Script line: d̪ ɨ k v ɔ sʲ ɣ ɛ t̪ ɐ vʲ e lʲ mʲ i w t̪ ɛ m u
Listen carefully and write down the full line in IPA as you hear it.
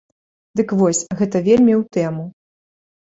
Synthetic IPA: d̪ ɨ k v ɔ sʲ ɣ ɛ t̪ ɐ vʲ e lʲ mʲ i w t̪ ɛ m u